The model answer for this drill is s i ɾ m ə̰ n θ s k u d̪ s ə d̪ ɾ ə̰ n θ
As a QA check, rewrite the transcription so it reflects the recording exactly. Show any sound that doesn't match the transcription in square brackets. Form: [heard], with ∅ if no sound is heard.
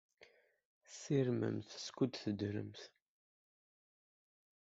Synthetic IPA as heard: s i ɾ m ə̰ [m] θ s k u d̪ [θ] ə d̪ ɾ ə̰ [m] θ